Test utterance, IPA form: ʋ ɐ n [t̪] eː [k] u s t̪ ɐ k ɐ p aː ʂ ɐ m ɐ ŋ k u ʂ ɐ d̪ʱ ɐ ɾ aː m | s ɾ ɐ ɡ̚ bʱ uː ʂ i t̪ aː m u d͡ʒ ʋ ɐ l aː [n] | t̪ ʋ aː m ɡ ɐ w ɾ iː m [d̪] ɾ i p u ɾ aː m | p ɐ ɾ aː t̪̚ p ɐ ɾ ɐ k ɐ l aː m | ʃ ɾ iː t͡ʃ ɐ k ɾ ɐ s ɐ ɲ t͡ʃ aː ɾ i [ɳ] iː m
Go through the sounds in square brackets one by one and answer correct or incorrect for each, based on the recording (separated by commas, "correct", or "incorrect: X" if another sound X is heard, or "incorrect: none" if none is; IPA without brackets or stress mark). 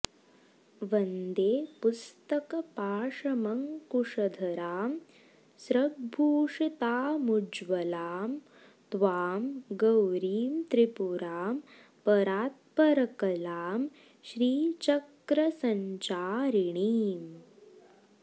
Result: incorrect: d̪, incorrect: p, incorrect: m, incorrect: t̪, correct